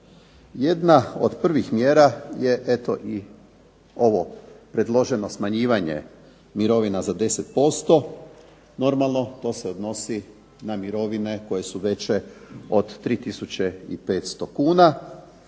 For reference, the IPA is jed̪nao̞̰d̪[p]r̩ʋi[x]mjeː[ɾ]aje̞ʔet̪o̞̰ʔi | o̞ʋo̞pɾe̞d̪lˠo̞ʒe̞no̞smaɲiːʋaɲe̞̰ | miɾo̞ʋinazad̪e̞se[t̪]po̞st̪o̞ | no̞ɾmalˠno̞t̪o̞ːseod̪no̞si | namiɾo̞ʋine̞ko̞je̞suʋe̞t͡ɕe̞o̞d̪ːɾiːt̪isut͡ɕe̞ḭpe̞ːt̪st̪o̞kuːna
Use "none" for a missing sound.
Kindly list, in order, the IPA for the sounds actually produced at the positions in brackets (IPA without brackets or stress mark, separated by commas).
p, x, ɾ, t̪